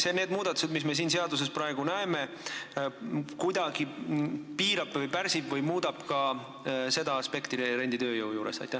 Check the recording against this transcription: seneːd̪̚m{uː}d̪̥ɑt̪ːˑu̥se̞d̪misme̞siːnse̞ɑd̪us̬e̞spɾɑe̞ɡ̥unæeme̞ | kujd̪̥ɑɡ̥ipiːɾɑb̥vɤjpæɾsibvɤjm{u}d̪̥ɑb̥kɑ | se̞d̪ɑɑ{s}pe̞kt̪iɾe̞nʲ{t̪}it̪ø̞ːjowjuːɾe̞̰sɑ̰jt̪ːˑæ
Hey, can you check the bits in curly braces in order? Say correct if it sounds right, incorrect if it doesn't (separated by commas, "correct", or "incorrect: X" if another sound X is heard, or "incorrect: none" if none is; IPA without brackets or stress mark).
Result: correct, incorrect: uː, correct, incorrect: d̪